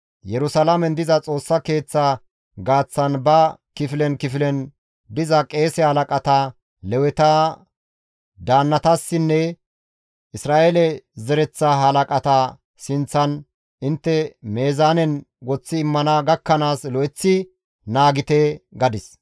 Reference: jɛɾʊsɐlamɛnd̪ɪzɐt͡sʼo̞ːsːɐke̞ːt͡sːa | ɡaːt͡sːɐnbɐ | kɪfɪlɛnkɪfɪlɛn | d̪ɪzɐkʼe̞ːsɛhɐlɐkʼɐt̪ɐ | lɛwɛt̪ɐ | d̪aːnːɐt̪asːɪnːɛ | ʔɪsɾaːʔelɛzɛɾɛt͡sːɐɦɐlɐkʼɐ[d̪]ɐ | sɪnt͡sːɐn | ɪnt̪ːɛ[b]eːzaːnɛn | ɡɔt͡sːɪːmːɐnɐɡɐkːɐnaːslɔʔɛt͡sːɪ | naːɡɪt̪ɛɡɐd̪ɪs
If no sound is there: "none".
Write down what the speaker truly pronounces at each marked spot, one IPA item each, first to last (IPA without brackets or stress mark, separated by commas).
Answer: t̪, m